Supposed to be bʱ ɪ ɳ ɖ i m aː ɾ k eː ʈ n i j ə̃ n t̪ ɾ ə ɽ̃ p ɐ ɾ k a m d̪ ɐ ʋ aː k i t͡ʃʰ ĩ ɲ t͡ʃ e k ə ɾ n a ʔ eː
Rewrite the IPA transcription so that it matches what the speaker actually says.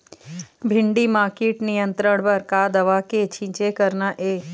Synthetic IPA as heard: bʱ ɪ ɳ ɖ i m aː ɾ k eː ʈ n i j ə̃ n t̪ ɾ ə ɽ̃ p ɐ ɾ k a d̪ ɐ ʋ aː k e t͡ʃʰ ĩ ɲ t͡ʃ e k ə ɾ n a ʔ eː